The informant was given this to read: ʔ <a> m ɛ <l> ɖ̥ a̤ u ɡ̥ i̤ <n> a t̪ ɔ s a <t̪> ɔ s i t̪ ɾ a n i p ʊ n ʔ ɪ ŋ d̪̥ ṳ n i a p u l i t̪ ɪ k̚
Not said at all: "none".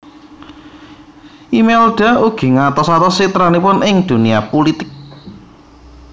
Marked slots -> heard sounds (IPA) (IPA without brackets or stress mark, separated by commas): i, l, ŋ, t̪